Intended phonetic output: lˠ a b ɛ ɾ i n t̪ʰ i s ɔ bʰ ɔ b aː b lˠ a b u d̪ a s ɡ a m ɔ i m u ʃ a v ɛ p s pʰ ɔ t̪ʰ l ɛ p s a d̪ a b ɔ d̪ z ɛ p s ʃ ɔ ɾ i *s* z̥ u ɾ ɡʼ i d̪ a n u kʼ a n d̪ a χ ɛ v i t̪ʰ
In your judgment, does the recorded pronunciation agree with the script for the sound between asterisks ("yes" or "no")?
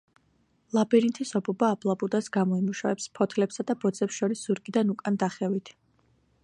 yes